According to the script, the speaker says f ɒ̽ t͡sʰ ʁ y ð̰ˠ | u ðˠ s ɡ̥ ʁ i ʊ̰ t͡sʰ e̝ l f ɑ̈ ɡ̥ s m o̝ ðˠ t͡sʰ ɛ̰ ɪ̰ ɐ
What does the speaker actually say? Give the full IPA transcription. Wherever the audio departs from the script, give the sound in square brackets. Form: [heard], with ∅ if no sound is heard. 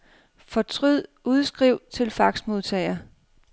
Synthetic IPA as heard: f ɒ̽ t͡sʰ ʁ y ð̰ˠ | u ðˠ s ɡ̥ ʁ i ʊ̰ t͡sʰ e̝ l f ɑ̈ ɡ̥ s m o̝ ðˠ t͡sʰ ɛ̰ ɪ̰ ɐ